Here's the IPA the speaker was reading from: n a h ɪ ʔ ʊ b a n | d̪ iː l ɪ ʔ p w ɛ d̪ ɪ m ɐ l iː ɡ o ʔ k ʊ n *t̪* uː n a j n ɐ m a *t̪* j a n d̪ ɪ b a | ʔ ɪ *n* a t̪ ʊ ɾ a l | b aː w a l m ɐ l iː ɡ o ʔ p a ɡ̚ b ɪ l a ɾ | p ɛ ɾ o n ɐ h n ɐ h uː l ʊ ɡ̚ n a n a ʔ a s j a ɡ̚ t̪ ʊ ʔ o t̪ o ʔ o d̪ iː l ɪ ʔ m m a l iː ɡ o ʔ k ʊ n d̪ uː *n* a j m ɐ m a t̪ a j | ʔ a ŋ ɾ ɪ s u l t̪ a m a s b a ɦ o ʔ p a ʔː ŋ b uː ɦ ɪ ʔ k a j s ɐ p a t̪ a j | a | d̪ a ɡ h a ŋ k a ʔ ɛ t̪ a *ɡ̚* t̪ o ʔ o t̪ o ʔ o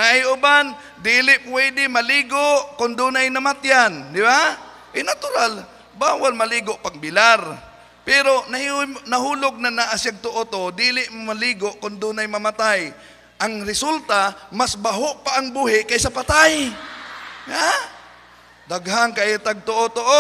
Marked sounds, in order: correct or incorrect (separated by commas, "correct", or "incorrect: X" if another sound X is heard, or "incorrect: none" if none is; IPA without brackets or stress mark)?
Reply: incorrect: d̪, correct, correct, correct, correct